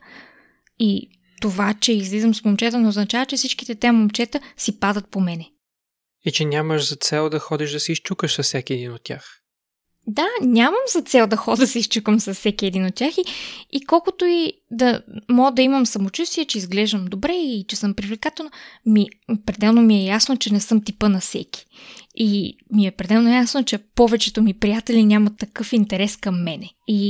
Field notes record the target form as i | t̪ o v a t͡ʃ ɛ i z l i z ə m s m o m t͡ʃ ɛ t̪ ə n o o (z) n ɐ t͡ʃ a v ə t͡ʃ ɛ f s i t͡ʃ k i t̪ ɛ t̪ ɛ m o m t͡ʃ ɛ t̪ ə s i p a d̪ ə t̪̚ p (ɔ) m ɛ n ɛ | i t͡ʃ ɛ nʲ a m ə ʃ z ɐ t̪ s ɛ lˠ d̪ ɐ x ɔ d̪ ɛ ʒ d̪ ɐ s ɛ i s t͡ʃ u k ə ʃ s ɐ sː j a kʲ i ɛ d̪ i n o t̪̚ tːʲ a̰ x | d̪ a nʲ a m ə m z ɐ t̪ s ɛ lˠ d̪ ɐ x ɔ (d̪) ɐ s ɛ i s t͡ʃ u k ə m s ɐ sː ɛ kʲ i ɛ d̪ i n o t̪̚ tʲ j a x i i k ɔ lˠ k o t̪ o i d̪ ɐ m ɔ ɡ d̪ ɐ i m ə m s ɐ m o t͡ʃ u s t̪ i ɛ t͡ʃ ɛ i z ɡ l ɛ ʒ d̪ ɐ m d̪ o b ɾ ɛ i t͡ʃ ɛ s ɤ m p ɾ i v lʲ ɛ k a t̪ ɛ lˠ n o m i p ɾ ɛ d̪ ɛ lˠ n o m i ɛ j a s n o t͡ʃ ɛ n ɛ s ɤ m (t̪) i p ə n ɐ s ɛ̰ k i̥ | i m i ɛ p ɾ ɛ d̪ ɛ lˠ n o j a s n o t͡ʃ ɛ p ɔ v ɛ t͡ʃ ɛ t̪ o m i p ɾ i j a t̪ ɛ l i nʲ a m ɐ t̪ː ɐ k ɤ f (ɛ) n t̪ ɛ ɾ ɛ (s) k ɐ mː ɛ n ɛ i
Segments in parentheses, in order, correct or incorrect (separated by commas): correct, incorrect, correct, correct, incorrect, correct